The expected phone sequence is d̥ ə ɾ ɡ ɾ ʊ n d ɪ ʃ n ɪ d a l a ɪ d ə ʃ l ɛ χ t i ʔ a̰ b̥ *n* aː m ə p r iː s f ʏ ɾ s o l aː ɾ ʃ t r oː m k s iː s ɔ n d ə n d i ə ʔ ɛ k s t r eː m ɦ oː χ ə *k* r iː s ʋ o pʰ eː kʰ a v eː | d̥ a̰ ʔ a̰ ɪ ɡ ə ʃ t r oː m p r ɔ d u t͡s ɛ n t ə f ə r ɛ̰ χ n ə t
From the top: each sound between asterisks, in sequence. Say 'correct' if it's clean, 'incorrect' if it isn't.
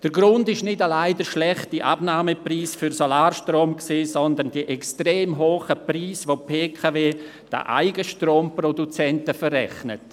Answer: correct, incorrect: p

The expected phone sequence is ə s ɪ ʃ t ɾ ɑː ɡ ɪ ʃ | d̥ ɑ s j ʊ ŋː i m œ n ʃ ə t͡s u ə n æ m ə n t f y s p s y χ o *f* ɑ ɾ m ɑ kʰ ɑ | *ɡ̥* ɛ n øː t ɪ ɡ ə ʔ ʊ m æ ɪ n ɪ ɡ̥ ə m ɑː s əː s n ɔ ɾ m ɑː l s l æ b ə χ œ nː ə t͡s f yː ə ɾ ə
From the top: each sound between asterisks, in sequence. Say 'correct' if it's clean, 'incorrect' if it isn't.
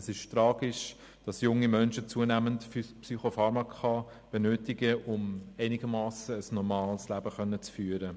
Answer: correct, incorrect: b̥

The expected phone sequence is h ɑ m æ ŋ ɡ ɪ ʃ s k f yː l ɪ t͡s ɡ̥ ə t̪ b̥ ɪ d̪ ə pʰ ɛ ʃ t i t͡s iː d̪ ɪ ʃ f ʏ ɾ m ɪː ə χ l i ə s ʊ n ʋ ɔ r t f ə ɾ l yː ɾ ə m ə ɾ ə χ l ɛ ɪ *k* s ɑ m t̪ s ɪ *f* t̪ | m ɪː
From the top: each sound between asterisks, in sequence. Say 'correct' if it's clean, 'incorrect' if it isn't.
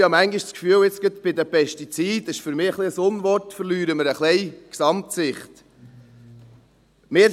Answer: correct, incorrect: χ

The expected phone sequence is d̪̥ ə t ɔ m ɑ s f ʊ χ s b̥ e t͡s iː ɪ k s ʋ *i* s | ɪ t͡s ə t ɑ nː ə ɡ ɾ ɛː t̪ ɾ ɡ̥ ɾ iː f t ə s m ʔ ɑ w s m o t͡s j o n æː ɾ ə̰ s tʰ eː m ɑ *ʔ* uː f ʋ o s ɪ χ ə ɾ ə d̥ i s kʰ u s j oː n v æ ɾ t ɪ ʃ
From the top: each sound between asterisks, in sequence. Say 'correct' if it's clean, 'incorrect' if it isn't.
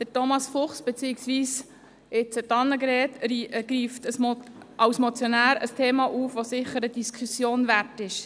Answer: incorrect: iː, correct

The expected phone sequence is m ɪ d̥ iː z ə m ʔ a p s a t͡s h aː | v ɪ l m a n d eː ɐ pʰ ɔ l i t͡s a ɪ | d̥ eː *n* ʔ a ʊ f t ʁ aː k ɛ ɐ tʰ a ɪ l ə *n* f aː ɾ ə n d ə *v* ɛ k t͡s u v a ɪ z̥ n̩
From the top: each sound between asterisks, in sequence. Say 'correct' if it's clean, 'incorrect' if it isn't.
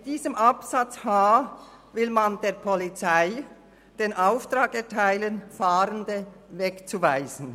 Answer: correct, correct, correct

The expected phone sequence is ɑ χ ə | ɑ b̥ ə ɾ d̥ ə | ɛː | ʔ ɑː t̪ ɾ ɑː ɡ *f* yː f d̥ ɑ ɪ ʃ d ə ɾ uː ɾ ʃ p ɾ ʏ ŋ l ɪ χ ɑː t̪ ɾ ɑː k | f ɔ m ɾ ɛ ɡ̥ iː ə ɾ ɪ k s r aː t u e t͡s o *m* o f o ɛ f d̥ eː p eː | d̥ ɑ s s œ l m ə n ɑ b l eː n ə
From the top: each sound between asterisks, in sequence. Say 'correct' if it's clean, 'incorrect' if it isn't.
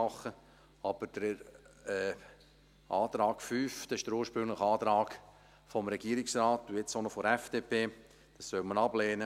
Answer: correct, incorrect: n

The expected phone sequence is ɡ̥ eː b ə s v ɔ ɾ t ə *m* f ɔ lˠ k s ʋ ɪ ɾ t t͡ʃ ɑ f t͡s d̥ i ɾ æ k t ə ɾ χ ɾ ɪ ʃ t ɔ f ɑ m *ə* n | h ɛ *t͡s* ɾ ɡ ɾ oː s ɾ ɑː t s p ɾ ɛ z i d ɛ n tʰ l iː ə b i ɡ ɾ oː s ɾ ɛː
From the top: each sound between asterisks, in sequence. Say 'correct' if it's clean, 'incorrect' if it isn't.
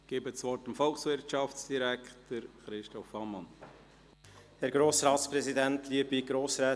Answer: correct, incorrect: ɑ, incorrect: none

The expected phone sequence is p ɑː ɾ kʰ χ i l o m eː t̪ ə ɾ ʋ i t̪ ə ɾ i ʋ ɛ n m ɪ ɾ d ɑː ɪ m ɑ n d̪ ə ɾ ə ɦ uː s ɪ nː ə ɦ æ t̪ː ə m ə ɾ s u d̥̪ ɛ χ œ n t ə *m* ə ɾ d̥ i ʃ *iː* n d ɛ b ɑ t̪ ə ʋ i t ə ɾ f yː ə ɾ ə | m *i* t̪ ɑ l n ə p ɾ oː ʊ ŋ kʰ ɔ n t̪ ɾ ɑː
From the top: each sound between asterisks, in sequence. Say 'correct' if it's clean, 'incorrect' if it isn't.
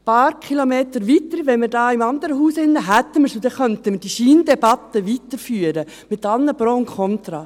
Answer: correct, correct, incorrect: ɪ

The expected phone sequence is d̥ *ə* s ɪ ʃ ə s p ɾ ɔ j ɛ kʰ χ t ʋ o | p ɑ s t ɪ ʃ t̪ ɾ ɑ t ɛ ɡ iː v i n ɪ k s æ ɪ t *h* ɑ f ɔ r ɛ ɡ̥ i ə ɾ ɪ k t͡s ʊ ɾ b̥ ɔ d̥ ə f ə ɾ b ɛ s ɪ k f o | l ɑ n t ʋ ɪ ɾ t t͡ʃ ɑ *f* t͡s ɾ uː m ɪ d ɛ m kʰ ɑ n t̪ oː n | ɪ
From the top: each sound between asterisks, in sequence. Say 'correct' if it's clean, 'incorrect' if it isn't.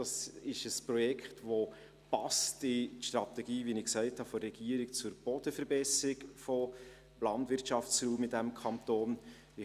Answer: incorrect: ɑ, correct, correct

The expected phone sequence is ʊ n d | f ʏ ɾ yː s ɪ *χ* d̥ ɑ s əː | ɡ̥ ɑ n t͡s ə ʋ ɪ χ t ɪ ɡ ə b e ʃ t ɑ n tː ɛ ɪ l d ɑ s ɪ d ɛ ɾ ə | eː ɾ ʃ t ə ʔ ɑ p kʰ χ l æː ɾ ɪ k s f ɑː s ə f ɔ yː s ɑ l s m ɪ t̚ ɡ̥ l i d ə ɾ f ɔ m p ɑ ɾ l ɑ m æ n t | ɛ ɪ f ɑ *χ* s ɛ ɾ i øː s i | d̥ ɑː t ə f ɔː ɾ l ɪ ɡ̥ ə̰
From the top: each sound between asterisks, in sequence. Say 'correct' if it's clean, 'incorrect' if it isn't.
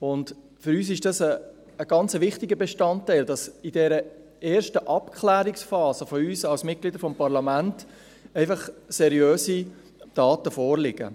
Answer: incorrect: ʃ, correct

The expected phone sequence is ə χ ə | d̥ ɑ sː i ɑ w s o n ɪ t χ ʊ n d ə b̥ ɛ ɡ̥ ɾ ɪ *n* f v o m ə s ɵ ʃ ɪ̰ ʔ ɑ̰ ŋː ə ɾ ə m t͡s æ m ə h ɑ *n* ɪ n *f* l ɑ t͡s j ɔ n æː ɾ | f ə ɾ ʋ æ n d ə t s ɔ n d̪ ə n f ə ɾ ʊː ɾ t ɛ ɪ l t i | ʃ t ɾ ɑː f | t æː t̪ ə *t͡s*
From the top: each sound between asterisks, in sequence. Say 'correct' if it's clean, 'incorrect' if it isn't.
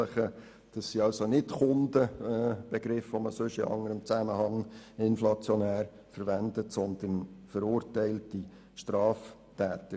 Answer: incorrect: none, incorrect: ŋ, correct, incorrect: none

